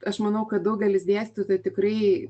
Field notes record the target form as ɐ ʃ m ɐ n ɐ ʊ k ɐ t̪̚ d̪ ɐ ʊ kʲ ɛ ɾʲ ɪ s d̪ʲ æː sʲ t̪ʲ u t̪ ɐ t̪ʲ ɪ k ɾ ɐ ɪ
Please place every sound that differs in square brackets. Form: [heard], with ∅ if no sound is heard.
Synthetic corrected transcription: ɐ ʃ m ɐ n ɐ ʊ k ɐ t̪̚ d̪ ɐ ʊ [ɡʲ] ɛ [lʲ] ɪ s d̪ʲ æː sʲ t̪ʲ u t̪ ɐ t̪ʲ ɪ k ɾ ɐ ɪ